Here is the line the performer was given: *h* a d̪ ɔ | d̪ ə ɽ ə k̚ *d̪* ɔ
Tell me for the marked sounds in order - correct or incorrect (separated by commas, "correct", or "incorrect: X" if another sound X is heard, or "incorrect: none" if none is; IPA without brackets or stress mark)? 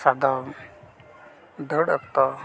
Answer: incorrect: s, incorrect: t̪